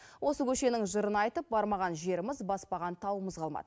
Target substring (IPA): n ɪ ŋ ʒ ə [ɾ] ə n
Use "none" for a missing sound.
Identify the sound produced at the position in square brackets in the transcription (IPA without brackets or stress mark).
ɾ